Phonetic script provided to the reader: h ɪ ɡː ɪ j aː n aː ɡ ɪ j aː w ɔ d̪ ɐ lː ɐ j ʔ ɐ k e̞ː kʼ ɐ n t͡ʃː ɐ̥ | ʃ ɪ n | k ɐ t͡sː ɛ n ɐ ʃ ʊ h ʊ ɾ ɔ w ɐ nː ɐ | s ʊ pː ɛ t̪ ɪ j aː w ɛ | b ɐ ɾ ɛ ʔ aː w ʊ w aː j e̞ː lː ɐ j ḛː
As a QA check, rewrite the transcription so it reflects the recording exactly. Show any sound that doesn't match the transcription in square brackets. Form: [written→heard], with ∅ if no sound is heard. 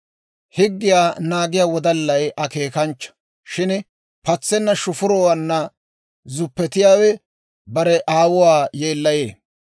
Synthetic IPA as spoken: h ɪ ɡː ɪ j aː n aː ɡ ɪ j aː w ɔ d̪ ɐ lː ɐ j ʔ ɐ k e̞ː [kʼ→k] ɐ n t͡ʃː ɐ̥ | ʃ ɪ n | [k→p] ɐ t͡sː ɛ [n→nː] ɐ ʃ ʊ [h→f] ʊ ɾ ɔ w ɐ nː ɐ | [s→z] ʊ pː ɛ t̪ ɪ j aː w ɛ | b ɐ ɾ ɛ ʔ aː w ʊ w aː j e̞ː lː ɐ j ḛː